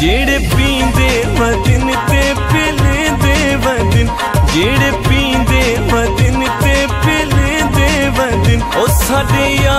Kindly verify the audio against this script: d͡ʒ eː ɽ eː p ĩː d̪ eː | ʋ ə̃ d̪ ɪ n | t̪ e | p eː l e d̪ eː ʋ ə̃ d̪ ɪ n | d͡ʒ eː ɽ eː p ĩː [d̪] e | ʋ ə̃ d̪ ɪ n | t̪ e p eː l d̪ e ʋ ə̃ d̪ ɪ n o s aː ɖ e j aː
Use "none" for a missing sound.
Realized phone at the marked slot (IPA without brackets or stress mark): d̪